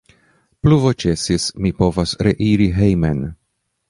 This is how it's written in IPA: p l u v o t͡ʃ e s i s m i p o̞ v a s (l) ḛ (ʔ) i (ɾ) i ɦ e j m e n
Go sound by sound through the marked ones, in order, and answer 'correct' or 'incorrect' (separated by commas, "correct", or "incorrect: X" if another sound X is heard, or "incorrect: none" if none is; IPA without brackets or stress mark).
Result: incorrect: ɾ, correct, correct